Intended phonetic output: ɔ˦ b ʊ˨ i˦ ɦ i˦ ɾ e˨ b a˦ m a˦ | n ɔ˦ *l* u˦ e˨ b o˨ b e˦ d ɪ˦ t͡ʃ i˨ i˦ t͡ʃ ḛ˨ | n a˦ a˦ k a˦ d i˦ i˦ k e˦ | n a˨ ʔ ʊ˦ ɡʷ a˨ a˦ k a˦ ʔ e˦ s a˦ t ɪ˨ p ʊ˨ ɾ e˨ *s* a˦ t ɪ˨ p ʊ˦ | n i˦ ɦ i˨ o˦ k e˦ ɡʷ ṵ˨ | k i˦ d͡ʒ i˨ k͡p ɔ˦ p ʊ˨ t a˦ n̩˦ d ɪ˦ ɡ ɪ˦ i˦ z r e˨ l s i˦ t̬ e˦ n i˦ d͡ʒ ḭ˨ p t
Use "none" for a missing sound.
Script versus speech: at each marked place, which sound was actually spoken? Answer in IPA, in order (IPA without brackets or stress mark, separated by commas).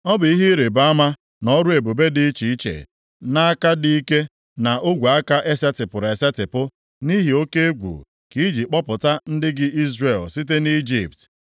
ɾ, s